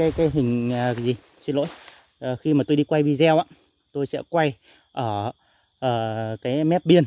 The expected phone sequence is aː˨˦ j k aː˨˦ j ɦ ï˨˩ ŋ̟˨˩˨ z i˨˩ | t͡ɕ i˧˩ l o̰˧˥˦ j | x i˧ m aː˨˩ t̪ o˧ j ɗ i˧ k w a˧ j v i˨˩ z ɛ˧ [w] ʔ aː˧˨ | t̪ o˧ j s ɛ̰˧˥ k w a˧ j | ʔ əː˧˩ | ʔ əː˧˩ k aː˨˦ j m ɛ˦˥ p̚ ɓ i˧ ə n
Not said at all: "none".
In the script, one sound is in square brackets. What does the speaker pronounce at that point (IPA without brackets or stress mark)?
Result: w